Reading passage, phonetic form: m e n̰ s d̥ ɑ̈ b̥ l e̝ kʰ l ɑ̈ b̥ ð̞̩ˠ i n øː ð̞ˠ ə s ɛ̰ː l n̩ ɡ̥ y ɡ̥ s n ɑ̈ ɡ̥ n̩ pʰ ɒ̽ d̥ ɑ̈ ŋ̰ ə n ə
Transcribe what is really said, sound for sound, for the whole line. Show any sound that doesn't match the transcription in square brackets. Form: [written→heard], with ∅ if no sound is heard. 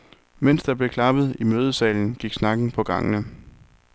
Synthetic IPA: m e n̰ s d̥ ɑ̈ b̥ l e̝ kʰ l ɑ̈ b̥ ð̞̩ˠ i [n→m] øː ð̞ˠ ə s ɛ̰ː l n̩ ɡ̥ [y→i] ɡ̥ s n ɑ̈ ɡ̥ n̩ pʰ ɒ̽ [d̥→ɡ̥] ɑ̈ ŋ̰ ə n ə